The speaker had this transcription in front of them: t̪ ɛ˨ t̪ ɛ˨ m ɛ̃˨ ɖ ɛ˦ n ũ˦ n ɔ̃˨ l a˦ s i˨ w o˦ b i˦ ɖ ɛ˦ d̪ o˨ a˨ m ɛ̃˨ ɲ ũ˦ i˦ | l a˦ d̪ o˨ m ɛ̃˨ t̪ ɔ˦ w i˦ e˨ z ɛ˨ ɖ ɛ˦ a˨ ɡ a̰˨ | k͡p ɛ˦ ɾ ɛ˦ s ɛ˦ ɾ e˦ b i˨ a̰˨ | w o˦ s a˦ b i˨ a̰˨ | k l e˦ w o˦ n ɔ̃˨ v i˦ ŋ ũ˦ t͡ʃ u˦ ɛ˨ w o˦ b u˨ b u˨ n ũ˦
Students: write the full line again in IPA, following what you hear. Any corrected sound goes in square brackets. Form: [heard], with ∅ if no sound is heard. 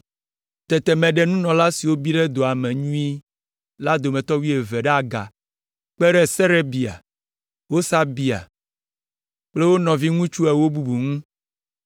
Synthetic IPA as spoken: t̪ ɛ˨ t̪ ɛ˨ m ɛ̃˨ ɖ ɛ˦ n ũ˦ n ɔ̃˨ l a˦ s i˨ w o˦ b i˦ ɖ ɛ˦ d̪ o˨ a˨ m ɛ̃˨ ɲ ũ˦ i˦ | l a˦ d̪ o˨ m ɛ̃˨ t̪ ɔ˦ w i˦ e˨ [v] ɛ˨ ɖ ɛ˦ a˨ ɡ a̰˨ | k͡p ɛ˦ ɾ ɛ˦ s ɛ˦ ɾ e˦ b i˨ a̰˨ | w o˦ s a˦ b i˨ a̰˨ | [k͡p] l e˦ w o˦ n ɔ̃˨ v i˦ ŋ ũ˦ t͡ʃ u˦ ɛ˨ w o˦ b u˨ b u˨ [ŋ] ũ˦